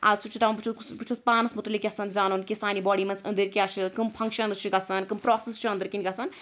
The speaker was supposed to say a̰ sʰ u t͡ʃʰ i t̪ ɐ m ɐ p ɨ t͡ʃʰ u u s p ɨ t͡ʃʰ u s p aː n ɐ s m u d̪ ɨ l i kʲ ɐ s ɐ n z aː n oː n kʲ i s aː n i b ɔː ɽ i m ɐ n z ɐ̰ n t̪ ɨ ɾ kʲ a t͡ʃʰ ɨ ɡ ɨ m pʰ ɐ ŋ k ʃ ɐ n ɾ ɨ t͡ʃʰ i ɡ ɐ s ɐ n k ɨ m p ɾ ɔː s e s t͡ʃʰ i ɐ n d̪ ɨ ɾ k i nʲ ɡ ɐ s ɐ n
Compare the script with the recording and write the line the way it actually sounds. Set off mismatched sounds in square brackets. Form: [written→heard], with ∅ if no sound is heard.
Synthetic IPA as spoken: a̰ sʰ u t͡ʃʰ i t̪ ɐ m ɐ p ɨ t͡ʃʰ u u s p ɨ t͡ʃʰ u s p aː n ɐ s m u [d̪→t̪] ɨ l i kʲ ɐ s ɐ n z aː n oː n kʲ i s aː n i b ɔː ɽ i m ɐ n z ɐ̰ n [t̪→d̪] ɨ ɾ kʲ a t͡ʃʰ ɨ [ɡ→k] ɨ m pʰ ɐ ŋ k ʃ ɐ n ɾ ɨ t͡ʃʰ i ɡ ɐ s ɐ n k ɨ m p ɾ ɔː s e s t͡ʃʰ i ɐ n d̪ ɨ ɾ k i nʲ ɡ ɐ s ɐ n

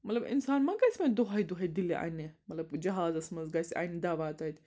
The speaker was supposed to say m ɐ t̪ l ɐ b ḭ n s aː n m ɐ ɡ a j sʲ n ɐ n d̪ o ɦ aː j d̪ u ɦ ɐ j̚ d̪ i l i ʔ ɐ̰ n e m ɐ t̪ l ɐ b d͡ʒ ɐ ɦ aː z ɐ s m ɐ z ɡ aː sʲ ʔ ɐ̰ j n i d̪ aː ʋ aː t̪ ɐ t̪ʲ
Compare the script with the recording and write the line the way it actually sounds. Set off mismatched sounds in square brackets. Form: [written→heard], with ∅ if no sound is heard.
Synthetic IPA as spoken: m ɐ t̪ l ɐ b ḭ n s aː n m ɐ ɡ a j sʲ [n→m] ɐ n d̪ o ɦ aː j d̪ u ɦ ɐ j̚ d̪ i l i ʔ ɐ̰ n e m ɐ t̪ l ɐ b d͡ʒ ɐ ɦ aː z ɐ s m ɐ z ɡ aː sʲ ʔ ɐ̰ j n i d̪ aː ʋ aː t̪ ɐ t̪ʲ

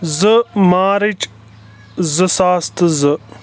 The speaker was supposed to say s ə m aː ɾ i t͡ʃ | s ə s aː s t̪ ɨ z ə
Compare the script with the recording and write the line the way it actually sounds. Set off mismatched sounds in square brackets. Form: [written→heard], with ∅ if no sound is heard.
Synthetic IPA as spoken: [s→z] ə m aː ɾ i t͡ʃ | [s→z] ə s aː s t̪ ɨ z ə

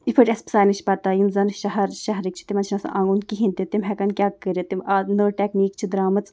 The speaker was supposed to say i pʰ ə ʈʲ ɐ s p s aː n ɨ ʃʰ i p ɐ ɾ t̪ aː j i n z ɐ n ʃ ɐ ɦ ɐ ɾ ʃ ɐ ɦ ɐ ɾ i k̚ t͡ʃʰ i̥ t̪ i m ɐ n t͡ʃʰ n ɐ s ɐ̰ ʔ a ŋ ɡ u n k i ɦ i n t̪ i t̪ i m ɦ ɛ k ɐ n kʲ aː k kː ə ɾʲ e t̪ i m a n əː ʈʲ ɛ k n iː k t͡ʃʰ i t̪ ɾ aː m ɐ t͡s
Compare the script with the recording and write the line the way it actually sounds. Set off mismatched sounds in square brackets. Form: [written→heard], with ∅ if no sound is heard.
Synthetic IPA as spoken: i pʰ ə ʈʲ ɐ s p s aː n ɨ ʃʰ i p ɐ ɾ t̪ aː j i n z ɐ n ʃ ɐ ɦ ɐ ɾ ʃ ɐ ɦ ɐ ɾ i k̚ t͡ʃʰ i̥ t̪ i m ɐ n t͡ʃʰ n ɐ s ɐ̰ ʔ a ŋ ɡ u n k i ɦ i n t̪ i t̪ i m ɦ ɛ k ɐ n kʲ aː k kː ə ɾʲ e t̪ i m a n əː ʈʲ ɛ k n iː k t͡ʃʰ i [t̪→d̪] ɾ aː m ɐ t͡s

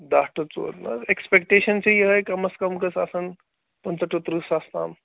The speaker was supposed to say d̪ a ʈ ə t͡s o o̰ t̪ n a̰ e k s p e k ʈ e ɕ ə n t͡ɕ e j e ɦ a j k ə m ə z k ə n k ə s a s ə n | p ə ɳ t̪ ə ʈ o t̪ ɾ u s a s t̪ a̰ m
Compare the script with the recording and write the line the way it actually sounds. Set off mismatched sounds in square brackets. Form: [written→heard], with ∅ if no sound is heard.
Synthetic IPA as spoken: d̪ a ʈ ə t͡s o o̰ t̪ n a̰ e k s p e k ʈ e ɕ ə n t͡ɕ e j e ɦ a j k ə m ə [z→s] k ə [n→m] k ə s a s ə n | p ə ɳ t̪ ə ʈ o t̪ ɾ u s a s t̪ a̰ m

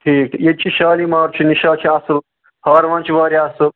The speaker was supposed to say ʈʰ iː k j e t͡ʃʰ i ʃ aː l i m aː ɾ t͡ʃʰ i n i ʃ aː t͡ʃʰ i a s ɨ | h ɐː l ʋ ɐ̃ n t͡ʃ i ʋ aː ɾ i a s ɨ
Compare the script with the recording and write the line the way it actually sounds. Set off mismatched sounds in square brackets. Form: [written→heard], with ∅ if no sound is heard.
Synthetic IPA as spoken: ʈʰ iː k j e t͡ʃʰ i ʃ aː l i m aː ɾ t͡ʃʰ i n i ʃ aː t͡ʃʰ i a s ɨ | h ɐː [l→ɾ] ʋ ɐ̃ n t͡ʃ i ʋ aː ɾ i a s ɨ

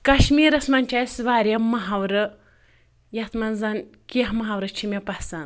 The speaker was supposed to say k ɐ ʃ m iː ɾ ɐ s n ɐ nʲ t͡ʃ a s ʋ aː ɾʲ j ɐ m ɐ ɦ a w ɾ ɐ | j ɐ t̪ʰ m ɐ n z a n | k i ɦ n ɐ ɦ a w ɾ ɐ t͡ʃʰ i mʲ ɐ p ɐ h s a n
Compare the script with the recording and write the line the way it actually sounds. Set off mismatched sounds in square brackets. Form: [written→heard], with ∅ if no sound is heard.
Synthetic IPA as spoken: k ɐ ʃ m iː ɾ ɐ s [n→m] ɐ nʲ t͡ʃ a s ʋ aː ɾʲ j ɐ m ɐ ɦ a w ɾ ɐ | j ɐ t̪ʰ m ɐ n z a n | k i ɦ [n→m] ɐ ɦ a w ɾ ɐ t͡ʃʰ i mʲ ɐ p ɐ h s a n

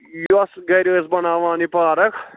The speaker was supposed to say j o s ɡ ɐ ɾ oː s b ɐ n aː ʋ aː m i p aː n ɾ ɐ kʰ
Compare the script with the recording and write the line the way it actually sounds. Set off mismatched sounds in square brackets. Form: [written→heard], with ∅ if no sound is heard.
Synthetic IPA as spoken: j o s ɡ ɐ ɾ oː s b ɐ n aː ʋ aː [m→n] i p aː [n→∅] ɾ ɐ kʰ

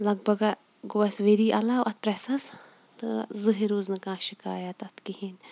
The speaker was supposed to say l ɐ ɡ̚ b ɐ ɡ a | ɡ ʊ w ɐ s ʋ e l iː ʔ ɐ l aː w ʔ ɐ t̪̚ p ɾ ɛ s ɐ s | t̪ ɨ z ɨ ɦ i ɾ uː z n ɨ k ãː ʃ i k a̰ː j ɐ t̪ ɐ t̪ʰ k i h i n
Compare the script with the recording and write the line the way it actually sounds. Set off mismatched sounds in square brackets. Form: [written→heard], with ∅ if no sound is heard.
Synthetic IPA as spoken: l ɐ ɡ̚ b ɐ ɡ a | ɡ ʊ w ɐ s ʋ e [l→ɾ] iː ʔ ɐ l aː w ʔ ɐ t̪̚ p ɾ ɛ s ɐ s | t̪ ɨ z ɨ ɦ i ɾ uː z n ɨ k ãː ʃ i k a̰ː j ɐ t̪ ɐ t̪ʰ k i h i n

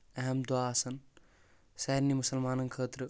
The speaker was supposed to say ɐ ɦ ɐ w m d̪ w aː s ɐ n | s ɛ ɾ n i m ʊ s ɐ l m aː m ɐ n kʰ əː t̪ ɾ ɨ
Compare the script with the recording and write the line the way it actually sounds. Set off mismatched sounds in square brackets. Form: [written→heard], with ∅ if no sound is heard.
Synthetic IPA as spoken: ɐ ɦ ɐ [w→∅] m d̪ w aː s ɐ n | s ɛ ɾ n i m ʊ s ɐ l m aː [m→n] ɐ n kʰ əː t̪ ɾ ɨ

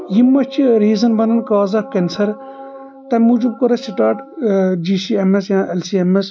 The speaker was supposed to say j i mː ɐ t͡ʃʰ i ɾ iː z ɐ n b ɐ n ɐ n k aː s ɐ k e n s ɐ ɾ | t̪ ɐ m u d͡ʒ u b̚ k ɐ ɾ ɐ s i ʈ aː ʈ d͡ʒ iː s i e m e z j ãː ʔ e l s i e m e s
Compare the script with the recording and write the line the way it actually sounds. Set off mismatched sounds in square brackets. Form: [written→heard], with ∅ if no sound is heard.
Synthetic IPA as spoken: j i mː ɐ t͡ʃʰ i ɾ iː z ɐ n b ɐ n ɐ n k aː [s→z] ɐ k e n s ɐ ɾ | t̪ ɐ m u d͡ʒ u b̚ k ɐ ɾ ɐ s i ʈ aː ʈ d͡ʒ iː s i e m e [z→s] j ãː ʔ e l s i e m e s

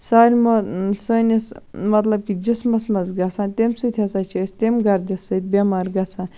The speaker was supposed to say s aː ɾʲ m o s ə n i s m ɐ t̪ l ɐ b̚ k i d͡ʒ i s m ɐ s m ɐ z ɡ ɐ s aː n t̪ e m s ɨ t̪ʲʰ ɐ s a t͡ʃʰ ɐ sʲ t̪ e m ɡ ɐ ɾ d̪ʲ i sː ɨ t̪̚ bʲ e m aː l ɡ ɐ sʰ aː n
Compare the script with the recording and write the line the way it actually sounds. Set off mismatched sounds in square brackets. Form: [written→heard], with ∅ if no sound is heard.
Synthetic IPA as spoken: s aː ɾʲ m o s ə n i s m ɐ t̪ l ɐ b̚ k i d͡ʒ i s m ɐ s m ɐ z ɡ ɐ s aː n t̪ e m s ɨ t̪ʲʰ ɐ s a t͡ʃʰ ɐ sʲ t̪ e m ɡ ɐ ɾ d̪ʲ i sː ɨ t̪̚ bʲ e m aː [l→ɾ] ɡ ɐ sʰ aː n

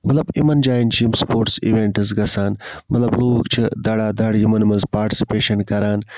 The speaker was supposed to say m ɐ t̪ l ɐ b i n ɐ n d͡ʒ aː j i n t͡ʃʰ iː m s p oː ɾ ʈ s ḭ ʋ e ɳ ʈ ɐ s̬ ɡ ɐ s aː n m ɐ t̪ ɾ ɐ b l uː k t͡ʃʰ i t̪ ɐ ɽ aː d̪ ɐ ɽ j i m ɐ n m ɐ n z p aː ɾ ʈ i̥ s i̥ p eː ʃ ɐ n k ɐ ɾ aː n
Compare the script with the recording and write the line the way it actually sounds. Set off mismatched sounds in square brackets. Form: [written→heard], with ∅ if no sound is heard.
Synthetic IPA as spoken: m ɐ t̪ l ɐ b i [n→m] ɐ n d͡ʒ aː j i n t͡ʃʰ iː m s p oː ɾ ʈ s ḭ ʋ e ɳ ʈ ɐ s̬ ɡ ɐ s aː n m ɐ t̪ [ɾ→l] ɐ b l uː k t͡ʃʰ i [t̪→d̪] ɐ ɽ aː d̪ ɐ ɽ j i m ɐ n m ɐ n z p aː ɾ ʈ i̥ s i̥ p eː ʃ ɐ n k ɐ ɾ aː n

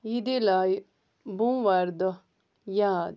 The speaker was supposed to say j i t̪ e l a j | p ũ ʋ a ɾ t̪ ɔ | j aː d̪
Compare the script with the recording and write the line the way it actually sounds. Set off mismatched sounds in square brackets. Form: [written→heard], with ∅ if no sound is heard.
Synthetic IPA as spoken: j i [t̪→d̪] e l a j | [p→b] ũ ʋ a ɾ [t̪→d̪] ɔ | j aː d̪

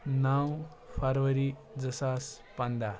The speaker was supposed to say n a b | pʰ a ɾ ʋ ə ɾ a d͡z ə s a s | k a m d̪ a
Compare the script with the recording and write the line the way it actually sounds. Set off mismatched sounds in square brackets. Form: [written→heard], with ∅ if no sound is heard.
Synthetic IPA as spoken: n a [b→w] | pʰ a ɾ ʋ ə ɾ [a→i] d͡z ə s a s | [k→p] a [m→n] d̪ a

